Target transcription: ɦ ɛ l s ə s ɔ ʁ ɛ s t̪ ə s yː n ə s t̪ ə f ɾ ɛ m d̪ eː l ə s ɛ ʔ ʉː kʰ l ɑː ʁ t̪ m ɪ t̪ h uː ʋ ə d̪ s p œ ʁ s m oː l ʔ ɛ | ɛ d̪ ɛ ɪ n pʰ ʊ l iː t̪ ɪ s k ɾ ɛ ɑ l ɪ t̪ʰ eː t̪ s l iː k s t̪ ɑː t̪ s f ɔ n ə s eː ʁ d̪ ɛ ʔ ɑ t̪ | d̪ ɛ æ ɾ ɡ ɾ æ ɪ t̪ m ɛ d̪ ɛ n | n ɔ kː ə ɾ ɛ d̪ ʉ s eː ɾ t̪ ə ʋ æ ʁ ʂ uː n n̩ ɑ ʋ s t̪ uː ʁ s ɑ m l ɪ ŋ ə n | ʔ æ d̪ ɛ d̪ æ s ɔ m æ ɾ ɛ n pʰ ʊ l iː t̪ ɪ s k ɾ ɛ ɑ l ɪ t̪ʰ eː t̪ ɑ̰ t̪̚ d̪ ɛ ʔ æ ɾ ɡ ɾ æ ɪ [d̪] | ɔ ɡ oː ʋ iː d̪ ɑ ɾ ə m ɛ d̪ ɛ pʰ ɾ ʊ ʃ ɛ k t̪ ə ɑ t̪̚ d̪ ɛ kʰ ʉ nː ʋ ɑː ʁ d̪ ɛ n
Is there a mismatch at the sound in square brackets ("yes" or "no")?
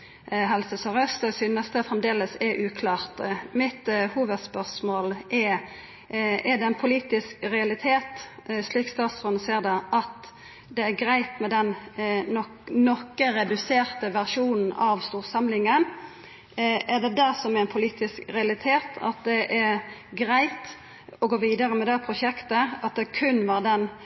yes